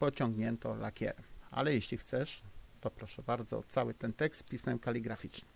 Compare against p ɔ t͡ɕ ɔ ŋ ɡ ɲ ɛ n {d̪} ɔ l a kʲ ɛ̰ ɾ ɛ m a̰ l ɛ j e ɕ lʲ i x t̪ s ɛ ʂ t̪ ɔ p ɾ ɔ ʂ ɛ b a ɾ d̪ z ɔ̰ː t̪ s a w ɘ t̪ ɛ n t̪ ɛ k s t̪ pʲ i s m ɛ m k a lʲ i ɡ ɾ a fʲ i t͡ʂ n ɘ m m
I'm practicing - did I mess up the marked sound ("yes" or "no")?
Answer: yes